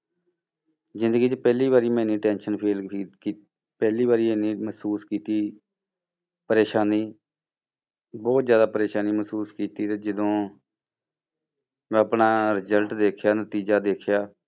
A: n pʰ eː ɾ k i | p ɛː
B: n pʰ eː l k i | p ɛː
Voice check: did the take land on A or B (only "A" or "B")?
B